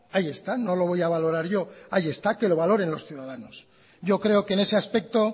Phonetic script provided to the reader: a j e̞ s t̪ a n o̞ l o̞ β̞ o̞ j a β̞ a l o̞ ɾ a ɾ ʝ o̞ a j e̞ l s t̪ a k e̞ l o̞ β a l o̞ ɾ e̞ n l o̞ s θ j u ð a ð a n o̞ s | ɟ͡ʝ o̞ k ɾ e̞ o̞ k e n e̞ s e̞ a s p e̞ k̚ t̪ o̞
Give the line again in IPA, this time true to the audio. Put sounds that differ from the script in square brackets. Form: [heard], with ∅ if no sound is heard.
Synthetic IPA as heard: a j e̞ s t̪ a n o̞ l o̞ β̞ o̞ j a β̞ a l o̞ ɾ a ɾ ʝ o̞ a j e̞ [∅] s t̪ a k e̞ l o̞ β a l o̞ ɾ e̞ n l o̞ s θ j u ð a ð a n o̞ s | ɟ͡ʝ o̞ k ɾ e̞ o̞ k e n e̞ s e̞ a s p e̞ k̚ t̪ o̞